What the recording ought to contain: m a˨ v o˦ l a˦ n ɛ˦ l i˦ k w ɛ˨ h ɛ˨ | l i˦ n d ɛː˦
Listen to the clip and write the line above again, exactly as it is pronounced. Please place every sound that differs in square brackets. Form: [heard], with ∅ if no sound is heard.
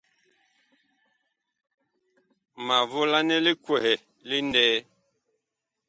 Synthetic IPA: m a˨ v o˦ l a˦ n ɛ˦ l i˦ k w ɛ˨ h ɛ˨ | l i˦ n d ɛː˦